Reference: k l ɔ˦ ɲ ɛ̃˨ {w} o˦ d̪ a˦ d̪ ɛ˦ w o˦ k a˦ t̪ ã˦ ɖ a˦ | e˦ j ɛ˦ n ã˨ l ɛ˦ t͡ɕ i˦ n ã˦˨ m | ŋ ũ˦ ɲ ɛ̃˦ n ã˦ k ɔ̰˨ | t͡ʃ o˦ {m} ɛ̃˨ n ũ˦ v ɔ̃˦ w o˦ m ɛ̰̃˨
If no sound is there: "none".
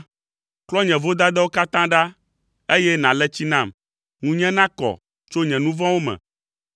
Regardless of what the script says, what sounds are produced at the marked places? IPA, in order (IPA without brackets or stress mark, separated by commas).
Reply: v, ɲ